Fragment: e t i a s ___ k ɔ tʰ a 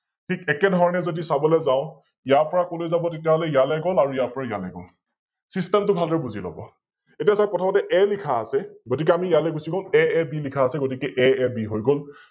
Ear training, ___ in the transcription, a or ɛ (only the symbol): a